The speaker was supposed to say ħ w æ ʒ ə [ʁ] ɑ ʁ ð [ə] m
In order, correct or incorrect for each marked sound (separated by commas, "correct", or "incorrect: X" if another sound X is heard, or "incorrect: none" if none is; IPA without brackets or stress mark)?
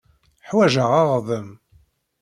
correct, correct